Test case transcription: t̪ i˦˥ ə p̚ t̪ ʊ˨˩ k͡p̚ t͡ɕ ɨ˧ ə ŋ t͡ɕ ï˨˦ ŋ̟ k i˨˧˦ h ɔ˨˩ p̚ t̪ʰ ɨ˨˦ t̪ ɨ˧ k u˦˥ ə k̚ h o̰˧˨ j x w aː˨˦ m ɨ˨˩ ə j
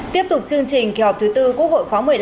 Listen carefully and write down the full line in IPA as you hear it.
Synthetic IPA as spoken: t̪ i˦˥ ə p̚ t̪ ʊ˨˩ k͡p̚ t͡ɕ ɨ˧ ə ŋ t͡ɕ ï˨˩ ŋ̟ k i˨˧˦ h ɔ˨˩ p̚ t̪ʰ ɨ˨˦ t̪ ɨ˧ k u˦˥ ə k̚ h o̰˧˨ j x w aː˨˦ m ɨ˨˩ ə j

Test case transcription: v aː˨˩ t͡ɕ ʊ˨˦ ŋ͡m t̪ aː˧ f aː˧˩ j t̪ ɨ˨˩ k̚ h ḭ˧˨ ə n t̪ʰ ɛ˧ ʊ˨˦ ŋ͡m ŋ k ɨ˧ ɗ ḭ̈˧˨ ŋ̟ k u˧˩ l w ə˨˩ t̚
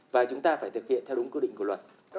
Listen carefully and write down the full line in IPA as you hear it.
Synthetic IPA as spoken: v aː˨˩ t͡ɕ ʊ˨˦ ŋ͡m t̪ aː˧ f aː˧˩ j t̪ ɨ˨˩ k̚ h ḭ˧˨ ə n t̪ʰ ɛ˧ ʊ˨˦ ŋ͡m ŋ k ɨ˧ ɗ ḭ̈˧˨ ŋ̟ k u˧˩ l w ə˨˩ t̚

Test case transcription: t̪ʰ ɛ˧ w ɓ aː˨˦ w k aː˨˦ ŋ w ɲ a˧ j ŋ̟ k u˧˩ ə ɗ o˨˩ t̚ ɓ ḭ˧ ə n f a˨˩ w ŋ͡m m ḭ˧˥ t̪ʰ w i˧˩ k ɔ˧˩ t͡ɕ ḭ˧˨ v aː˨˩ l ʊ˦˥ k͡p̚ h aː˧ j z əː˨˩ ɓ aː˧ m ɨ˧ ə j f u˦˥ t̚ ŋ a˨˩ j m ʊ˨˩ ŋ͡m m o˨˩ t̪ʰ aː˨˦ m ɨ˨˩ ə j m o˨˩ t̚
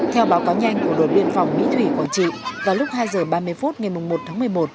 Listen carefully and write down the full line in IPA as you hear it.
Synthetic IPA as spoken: t̪ʰ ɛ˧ w ɓ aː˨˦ w k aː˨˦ w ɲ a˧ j ŋ̟ k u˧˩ ə ɗ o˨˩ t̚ ɓ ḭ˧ ə n f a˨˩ w ŋ͡m m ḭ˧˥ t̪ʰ w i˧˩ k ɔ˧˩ t͡ɕ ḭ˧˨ v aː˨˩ l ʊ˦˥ k͡p̚ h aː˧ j z əː˨˩ ɓ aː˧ m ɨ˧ ə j f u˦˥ t̚ ŋ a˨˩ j m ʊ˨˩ ŋ͡m m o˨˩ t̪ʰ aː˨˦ m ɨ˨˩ ə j m o˨˩ t̚

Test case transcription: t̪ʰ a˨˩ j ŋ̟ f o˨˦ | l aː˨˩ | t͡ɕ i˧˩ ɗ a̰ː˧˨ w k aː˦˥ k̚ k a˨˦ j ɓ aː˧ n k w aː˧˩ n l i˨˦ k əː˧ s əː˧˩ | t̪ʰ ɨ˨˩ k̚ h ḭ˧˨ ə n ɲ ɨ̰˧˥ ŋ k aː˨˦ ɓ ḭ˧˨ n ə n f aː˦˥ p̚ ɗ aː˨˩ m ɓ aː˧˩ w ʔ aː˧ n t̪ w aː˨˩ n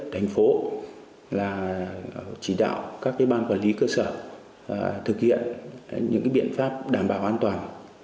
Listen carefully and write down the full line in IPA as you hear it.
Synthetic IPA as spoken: t̪ʰ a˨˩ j ŋ̟ f o˨˦ | l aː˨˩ | t͡ɕ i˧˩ ɗ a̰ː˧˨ w k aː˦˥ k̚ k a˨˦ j ɓ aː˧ n k w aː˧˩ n l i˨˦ k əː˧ s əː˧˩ | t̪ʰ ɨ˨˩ k̚ h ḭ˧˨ ə n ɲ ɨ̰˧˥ ŋ k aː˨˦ ɓ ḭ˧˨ ə n f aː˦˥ p̚ ɗ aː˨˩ m ɓ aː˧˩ w ʔ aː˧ n t̪ w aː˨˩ n

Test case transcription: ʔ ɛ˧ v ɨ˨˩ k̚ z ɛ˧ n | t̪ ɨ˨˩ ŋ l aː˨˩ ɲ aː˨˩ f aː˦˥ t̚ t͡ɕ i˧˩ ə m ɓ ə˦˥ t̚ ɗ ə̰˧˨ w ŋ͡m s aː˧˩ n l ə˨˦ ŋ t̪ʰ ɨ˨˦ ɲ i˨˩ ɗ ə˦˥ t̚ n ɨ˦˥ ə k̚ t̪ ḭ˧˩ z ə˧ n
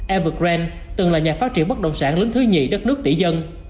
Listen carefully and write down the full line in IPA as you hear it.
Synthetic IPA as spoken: ʔ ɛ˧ v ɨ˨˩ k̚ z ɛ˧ n | t̪ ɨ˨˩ ŋ l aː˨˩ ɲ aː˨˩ f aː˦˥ t̚ t͡ɕ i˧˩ ə n ɓ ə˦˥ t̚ ɗ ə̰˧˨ w ŋ͡m s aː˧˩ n l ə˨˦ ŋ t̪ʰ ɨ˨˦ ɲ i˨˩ ɗ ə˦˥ t̚ n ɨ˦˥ ə k̚ t̪ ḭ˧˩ z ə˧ n

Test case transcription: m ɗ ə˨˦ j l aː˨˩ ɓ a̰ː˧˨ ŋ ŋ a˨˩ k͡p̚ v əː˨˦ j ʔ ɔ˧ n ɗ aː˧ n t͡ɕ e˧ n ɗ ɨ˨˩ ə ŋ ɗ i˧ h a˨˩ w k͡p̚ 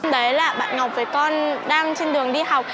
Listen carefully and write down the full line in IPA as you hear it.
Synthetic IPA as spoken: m ɗ ə˨˦ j l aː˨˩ ɓ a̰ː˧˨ n ŋ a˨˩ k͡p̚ v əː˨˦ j k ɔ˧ n ɗ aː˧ ŋ t͡ɕ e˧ n ɗ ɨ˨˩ ə ŋ ɗ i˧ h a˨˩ w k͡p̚

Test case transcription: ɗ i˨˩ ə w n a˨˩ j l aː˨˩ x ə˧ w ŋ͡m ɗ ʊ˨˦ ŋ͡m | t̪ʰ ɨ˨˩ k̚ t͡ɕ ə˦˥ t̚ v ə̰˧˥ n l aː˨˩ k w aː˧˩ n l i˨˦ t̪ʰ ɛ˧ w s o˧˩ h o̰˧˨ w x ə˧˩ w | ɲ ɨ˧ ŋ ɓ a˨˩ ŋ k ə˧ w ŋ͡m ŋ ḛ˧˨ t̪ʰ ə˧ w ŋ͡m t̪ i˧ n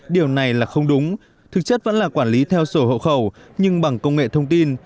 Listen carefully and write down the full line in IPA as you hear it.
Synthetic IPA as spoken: ɗ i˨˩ ə w n a˨˩ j l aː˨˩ x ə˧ w ŋ͡m ɗ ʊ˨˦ ŋ͡m | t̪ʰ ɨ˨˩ k̚ t͡ɕ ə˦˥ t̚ v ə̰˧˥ n l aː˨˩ k w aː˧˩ n l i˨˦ t̪ʰ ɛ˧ w s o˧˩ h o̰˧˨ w x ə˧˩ w | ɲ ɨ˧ ŋ ɓ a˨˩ ŋ k ə˧ w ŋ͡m ŋ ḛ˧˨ t̪ʰ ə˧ w ŋ͡m t̪ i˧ n

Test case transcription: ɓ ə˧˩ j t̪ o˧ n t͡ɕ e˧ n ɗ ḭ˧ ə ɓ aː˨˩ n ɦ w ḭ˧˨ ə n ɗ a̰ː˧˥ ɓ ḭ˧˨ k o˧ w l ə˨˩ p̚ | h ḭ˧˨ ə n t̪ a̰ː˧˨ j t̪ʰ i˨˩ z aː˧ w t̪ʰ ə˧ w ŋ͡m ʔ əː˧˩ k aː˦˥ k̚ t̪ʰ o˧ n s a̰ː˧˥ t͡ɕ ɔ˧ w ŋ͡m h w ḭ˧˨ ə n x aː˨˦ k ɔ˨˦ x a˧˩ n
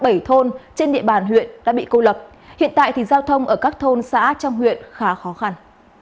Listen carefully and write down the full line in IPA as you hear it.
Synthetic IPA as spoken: ɓ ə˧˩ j t̪ʰ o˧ n t͡ɕ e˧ n ɗ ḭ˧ ə ɓ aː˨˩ n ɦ w ḭ˧˨ ə n ɗ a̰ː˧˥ ɓ ḭ˧˨ k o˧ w l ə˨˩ p̚ | h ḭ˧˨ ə n t̪ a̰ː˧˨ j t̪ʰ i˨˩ z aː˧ w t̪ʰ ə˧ w ŋ͡m ʔ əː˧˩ k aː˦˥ k̚ t̪ʰ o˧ n s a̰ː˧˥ t͡ɕ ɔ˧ w ŋ͡m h w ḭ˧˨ ə n x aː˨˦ x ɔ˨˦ x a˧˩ n

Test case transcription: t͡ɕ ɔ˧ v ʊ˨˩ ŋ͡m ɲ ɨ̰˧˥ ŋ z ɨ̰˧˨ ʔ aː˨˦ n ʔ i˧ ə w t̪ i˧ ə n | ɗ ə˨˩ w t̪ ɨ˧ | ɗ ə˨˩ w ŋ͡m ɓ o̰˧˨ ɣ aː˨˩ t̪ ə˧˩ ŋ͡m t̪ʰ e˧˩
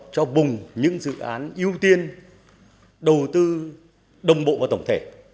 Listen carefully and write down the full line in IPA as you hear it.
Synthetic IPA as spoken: t͡ɕ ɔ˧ v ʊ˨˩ ŋ͡m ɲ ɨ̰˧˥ ŋ z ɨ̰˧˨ ʔ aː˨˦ n ʔ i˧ ə w t̪ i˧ ə n | ɗ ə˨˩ w t̪ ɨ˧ | ɗ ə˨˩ w ŋ͡m ɓ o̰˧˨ v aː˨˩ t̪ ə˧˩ ŋ͡m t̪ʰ e˧˩

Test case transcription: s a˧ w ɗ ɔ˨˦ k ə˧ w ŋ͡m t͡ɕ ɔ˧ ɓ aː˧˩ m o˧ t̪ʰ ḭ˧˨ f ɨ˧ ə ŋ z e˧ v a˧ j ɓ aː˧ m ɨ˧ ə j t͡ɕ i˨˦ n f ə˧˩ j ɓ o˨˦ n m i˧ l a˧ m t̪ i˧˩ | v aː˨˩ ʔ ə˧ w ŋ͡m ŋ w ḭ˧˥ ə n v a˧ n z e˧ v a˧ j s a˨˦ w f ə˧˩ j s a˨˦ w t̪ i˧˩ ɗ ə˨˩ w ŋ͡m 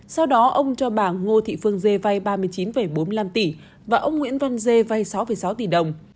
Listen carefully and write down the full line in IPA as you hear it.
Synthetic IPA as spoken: s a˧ w ɗ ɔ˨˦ ʔ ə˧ w ŋ͡m t͡ɕ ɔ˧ ɓ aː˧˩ ŋ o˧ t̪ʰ ḭ˧˨ f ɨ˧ ə ŋ z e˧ v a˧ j ɓ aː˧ m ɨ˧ ə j t͡ɕ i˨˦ n f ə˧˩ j ɓ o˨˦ n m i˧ l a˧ m t̪ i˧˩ | v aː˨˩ ʔ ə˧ w ŋ͡m ŋ w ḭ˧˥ ə n v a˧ n z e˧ v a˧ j s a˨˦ w f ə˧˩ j s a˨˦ w t̪ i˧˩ ɗ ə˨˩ w ŋ͡m

